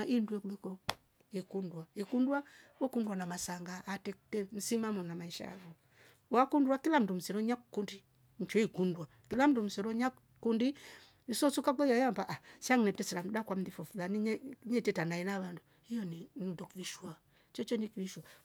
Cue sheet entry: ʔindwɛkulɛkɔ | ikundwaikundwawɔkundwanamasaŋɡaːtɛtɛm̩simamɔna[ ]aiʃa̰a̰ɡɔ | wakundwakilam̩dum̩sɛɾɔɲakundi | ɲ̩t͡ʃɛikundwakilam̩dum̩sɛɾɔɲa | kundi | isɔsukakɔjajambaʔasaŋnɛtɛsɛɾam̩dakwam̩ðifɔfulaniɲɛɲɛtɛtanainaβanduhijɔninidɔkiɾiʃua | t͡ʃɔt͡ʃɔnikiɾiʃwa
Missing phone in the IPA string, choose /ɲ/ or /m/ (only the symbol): m